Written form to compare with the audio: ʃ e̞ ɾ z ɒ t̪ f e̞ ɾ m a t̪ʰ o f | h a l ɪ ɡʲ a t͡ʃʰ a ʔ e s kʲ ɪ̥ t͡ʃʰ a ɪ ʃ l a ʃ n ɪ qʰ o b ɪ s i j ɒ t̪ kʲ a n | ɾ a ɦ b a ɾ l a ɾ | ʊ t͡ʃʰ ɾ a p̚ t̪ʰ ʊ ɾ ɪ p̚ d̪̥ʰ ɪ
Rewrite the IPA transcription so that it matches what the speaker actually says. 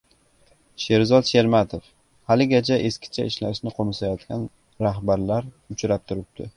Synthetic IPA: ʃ e̞ ɾ z ɒ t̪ ʃ e̞ ɾ m a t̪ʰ o f | h a l ɪ ɡʲ a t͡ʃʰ a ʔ e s kʲ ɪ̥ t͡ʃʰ a ɪ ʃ l a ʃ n ɪ qʰ o m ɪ s a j ɒ t̪ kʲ a n | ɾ a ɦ b a ɾ l a ɾ | ʊ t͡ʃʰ ɾ a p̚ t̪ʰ ʊ ɾ ɪ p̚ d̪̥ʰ ɪ